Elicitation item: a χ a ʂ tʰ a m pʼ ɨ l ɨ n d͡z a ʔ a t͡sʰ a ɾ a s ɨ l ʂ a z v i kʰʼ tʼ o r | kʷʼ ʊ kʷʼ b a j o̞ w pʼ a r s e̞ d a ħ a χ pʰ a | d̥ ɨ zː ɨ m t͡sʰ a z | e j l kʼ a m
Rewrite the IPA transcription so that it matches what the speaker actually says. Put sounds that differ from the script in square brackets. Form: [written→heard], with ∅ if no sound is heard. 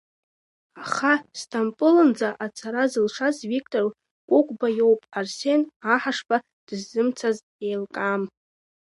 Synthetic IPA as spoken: a χ a [ʂ→s] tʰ a m pʼ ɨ l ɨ n d͡z a ʔ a t͡sʰ a ɾ a [s→z] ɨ l ʂ a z v i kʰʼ tʼ o r | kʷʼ ʊ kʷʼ b a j o̞ w pʼ a r s e̞ [d→n] a ħ a [χ→ʂ] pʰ a | d̥ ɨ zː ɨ m t͡sʰ a z | e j l kʼ a m

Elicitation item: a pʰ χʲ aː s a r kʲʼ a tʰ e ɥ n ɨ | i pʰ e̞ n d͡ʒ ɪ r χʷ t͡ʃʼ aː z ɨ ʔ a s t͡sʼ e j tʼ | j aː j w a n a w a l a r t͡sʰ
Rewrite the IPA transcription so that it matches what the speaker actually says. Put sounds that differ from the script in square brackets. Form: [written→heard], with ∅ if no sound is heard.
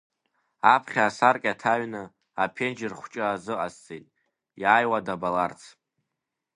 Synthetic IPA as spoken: a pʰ χʲ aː s a r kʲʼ a tʰ [e→a] ɥ n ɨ | [i→a] pʰ e̞ n d͡ʒ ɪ r χʷ t͡ʃʼ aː z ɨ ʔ a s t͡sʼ e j tʼ | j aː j w a [n→d] a [w→b] a l a r t͡sʰ

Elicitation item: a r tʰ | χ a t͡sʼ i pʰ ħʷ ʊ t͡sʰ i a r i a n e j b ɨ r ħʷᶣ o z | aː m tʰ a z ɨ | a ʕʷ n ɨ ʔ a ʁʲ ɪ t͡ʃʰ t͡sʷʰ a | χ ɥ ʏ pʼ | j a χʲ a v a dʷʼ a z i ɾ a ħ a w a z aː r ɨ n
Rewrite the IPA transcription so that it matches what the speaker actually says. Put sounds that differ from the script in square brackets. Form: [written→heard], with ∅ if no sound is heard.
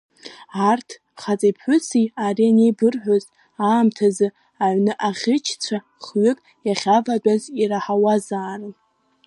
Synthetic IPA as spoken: a r tʰ | χ a t͡sʼ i pʰ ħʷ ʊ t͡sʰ i a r i a n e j b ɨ r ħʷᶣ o z | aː m tʰ a z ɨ | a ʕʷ n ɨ ʔ a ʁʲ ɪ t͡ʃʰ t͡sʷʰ a | χ ɥ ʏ [pʼ→kʼ] | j a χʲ a v a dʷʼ a z i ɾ a ħ a w a z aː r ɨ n

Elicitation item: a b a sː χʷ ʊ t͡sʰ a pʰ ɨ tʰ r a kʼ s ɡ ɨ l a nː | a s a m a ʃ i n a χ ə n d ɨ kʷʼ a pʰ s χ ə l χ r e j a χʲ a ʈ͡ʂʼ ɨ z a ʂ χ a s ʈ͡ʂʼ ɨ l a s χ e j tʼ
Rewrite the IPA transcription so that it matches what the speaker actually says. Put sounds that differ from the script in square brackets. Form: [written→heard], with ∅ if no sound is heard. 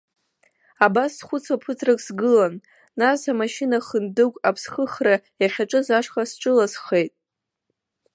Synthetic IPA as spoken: a b a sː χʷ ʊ t͡sʰ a pʰ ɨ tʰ r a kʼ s ɡ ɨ l a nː | a s a m a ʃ i n a χ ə n d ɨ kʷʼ a pʰ s χ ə [l→∅] χ r [e→a] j a χʲ a ʈ͡ʂʼ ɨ z a ʂ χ a s ʈ͡ʂʼ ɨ l a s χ e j tʼ

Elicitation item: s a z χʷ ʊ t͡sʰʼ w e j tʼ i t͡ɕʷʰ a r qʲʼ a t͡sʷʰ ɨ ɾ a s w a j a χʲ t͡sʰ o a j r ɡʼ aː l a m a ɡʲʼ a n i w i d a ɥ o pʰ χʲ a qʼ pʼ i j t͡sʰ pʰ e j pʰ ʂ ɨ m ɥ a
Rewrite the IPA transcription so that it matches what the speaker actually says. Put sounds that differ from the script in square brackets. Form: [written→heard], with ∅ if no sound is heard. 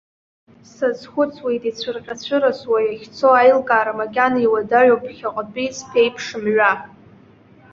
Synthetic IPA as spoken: s a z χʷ ʊ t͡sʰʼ w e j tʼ i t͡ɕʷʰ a r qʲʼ a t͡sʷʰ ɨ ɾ a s w a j a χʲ t͡sʰ o a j [r→l] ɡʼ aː [l→ɾ] a m a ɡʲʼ a n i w [i→a] d a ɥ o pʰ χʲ a qʼ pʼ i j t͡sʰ pʰ e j pʰ ʂ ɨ m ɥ a

